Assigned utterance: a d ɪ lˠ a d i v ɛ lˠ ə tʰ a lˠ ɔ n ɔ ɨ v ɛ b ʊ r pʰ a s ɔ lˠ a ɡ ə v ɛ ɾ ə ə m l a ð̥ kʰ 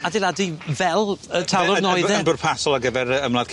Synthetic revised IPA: a d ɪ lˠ a d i v ɛ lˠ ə tʰ a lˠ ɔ n ɔ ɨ ð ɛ b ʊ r pʰ a s ɔ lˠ a ɡ ə v ɛ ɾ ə ə m l a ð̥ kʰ